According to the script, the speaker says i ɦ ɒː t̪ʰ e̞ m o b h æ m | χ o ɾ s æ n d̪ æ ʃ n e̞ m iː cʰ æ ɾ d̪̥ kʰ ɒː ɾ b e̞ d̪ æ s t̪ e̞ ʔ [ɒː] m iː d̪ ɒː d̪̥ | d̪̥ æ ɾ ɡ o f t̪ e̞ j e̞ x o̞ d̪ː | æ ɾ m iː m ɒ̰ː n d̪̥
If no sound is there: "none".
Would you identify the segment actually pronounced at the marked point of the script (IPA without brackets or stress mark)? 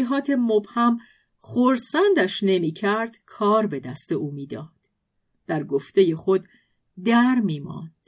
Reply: uː